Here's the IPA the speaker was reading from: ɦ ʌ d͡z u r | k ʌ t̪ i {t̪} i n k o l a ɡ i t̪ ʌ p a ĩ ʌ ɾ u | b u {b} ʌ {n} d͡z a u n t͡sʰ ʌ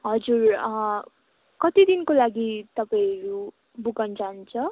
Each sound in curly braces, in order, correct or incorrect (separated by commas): incorrect, incorrect, correct